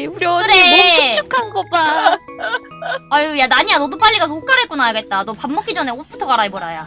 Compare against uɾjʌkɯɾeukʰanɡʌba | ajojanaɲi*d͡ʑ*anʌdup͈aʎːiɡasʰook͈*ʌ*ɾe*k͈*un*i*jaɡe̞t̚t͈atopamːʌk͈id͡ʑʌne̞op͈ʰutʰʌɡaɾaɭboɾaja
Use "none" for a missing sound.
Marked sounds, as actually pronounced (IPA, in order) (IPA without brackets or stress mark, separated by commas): none, a, k͈, a